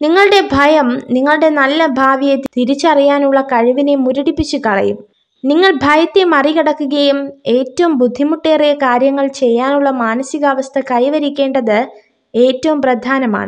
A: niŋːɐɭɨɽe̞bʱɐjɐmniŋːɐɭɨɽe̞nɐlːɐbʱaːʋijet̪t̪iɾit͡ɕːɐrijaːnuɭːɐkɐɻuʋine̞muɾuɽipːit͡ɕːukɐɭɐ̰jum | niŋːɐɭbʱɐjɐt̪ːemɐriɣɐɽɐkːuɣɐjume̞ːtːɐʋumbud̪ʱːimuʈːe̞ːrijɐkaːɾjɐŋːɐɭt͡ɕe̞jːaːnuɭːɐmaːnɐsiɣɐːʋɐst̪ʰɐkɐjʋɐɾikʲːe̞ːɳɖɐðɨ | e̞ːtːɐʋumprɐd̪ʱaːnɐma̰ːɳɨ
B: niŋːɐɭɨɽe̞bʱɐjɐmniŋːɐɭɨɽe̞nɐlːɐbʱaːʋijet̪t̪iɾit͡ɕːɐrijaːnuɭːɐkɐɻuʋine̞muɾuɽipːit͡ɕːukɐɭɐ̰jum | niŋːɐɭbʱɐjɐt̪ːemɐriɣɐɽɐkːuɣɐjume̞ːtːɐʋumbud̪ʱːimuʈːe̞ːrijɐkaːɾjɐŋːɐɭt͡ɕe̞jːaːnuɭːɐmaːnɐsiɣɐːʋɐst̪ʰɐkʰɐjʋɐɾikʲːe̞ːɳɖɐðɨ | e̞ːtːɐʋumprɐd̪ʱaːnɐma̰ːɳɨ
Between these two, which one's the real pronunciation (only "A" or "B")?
A